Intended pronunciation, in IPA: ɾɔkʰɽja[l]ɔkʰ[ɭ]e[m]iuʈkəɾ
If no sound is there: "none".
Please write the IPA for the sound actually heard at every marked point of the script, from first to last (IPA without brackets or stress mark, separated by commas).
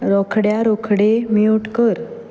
ɾ, ɽ, m